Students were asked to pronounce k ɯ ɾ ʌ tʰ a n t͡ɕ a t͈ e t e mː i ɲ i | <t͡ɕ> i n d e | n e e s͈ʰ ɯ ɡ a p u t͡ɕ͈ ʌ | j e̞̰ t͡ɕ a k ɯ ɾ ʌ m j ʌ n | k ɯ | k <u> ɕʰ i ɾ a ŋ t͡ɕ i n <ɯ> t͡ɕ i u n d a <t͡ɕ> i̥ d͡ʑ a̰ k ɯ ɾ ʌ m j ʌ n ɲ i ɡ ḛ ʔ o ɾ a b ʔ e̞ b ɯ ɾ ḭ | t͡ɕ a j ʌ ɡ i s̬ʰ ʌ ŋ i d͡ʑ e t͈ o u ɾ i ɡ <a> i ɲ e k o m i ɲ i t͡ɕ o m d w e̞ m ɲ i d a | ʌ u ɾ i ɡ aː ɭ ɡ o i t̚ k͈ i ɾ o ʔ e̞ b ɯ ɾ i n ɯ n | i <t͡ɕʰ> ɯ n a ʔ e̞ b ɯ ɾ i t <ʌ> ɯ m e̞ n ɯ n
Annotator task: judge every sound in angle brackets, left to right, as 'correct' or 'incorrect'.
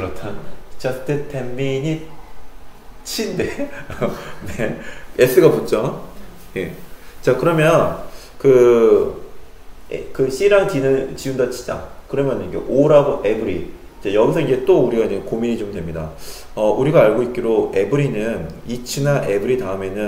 incorrect: t͡ɕʰ, incorrect: ɯ, correct, incorrect: t͡ɕʰ, correct, correct, incorrect: a

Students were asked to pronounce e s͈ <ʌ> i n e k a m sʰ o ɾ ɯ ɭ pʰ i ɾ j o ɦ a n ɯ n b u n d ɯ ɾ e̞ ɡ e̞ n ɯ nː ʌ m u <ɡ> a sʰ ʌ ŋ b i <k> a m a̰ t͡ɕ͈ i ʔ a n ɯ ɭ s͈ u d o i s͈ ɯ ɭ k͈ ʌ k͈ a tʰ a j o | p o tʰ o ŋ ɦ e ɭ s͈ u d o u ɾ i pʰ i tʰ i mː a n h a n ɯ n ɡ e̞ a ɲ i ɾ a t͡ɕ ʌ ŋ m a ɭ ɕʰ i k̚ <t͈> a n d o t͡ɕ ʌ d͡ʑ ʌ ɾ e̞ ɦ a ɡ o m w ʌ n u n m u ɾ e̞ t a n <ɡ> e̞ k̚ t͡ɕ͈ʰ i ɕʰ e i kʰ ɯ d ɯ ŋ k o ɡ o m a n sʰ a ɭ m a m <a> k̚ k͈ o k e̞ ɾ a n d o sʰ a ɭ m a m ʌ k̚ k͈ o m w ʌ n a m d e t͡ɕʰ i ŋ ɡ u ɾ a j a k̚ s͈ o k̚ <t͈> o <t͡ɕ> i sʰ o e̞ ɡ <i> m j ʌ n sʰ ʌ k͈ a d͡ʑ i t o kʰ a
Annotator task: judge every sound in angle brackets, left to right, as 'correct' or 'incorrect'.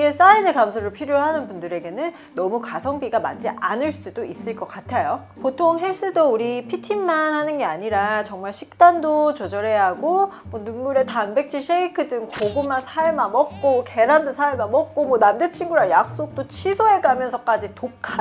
incorrect: a, incorrect: k, incorrect: ɡ, correct, incorrect: b, incorrect: ʌ, correct, incorrect: t͡ɕʰ, incorrect: a

